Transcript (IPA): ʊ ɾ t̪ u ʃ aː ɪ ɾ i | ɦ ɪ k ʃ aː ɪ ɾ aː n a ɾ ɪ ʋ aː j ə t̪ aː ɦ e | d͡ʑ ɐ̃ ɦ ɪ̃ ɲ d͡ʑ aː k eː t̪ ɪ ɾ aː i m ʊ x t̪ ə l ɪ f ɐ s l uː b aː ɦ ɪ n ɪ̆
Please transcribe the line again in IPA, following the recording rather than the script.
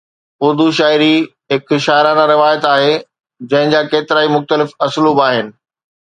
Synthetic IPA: ʊ ɾ d̪ u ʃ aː ɪ ɾ i | ɦ ɪ k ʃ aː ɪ ɾ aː n a ɾ ɪ ʋ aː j ə t̪ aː ɦ e | d͡ʑ ɐ̃ ɦ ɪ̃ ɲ d͡ʑ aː k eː t̪ ɪ ɾ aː i m ʊ x t̪ ə l ɪ f ɐ s l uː b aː ɦ ɪ n ɪ̆

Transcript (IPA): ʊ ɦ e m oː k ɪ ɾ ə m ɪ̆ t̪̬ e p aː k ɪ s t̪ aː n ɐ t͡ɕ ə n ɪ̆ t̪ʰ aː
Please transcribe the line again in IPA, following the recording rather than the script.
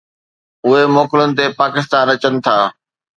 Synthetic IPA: ʊ ɦ e m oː k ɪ l ə n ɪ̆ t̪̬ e p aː k ɪ s t̪ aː n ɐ t͡ɕ ə n ɪ̆ t̪ʰ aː

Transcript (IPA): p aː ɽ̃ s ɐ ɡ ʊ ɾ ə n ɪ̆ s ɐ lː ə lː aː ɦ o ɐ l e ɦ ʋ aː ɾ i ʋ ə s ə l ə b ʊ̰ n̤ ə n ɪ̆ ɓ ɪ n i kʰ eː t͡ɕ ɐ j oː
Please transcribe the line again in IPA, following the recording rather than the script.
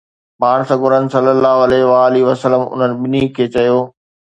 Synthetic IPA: p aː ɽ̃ s ɐ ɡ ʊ ɾ ə n ɪ̆ s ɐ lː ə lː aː ɦ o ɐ l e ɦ ʋ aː l i ʋ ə s ə l ə m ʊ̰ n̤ ə n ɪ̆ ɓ ɪ n i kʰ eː t͡ɕ ɐ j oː

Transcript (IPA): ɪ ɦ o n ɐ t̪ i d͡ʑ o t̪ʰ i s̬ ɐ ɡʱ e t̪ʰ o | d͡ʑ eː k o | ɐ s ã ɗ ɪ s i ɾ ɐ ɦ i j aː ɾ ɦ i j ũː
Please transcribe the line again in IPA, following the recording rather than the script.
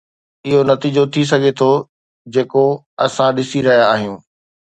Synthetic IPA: ɪ ɦ o n ɐ t̪ iː d͡ʑ o t̪ʰ i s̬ ɐ ɡʱ e t̪ʰ o | d͡ʑ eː k o | ɐ s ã ɗ ɪ s i ɾ ɐ ɦ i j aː ɦ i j ũː

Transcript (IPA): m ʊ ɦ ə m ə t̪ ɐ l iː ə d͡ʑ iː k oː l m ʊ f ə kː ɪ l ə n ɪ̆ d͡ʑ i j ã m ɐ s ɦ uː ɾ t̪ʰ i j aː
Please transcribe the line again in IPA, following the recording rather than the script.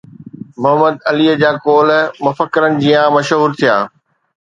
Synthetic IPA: m ʊ ɦ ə m ə d̪ ɐ l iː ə d͡ʑ aː k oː l m ʊ f ə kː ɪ ɾ ə n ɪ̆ d͡ʑ i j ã m ɐ ʃ ɦ uː ɾ t̪ʰ i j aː

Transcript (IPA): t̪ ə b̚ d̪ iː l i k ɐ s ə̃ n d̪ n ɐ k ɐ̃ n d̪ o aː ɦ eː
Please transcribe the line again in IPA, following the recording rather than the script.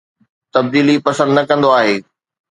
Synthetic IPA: t̪ ɐ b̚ d̪ iː l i p ɐ s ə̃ n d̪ n ɐ k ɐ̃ n d̪ o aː ɦ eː

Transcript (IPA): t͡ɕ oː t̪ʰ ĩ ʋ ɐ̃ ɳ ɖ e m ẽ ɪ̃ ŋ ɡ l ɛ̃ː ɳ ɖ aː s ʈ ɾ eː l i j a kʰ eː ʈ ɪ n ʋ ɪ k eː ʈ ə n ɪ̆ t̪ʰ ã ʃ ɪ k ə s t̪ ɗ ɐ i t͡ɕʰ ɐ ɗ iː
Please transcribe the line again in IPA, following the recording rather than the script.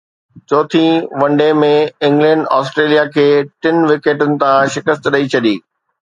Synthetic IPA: t͡ɕ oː t̪ʰ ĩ ʋ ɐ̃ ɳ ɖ e m ẽ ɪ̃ ŋ ɡ l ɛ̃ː ɳ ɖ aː s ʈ ɾ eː l i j a kʰ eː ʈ ɪ n ʋ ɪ k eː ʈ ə n ɪ̆ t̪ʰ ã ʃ ɪ k ə s t̪ ɗ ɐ i t͡ɕʰ ɐ ɗ iː

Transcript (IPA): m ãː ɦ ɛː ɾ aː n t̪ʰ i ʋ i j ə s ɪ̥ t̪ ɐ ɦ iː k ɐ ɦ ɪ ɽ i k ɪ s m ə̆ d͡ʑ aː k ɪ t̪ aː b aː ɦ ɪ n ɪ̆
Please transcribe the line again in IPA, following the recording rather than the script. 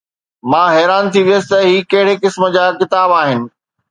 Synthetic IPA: m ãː ɦ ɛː ɾ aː n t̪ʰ i ʋ i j ə s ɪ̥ t̪ ɐ ɦ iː k ɐ ɦ ɪ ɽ e k ɪ s m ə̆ d͡ʑ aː k ɪ t̪ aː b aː ɦ ɪ n ɪ̆

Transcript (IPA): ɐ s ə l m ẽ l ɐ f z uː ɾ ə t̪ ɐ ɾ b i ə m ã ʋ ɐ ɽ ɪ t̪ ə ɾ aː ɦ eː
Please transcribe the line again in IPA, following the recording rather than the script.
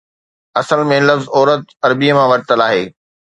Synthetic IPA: ɐ s ə l m ẽ l ɐ f z ɔː ɾ ə t̪ ɐ ɾ b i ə m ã ʋ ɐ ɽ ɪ t̪ ə l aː ɦ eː

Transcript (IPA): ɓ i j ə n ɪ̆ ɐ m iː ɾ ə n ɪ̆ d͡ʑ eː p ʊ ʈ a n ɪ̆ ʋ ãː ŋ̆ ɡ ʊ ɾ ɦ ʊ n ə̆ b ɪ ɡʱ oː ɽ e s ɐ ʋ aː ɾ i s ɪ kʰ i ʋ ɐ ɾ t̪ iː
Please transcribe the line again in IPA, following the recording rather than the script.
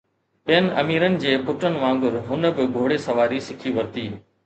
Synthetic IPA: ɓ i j ə n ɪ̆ ɐ m iː ɾ ə n ɪ̆ d͡ʑ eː p ʊ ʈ ə n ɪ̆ ʋ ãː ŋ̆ ɡ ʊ ɾ ɦ ʊ n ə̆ b ɪ ɡʱ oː ɽ e s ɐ ʋ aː ɾ i s ɪ kʰ i ʋ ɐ ɾ t̪ iː

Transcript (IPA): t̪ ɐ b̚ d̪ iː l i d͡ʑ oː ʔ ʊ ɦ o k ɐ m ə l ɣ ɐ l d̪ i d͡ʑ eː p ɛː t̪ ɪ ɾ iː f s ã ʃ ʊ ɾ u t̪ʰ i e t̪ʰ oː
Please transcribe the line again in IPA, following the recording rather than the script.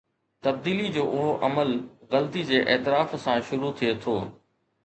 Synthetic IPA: t̪ ɐ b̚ d̪ iː l i d͡ʑ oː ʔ ʊ ɦ o ʔ ɐ m ə l ɣ ɐ l t̪ i d͡ʑ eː ʔ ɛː t̪ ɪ ɾ aː f s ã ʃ ʊ ɾ u t̪ʰ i e t̪ʰ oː

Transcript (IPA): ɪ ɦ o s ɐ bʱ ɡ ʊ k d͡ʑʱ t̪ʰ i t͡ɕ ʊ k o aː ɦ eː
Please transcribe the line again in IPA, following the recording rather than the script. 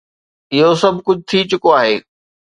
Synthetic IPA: ɪ ɦ o s ɐ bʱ k ʊ d͡ʑʱ t̪ʰ i t͡ɕ ʊ k o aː ɦ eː

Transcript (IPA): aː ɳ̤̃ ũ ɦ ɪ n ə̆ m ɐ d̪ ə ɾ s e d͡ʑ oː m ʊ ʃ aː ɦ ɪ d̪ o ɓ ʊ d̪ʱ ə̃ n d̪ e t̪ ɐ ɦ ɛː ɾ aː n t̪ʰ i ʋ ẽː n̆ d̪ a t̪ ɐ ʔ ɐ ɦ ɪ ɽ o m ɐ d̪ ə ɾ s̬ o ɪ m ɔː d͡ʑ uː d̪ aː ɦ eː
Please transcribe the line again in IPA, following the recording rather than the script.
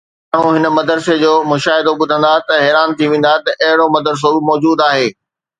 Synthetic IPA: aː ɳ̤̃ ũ ɦ ɪ n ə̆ m ɐ d̪ ə ɾ s e d͡ʑ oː m ʊ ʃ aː ɦ ɪ d̪ o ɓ ʊ d̪ʱ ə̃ n d̪ a t̪ ɐ ɦ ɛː ɾ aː n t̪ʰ i ʋ ẽː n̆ d̪ a t̪ ɐ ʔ ɐ ɦ ɪ ɽ o m ɐ d̪ ə ɾ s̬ o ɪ m ɔː d͡ʑ uː d̪ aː ɦ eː

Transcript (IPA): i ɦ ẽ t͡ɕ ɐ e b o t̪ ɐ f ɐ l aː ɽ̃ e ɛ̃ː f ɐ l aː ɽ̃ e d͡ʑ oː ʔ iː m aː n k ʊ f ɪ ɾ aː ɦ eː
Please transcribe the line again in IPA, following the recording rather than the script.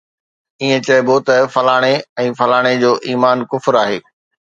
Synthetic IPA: i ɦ ẽ t͡ɕ ɐ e b o t̪ ɐ f ɐ l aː ɽ̃ e ɛ̃ː f ɐ l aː ɽ̃ e d͡ʑ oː ʔ iː m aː n k ʊ f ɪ ɾ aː ɦ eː

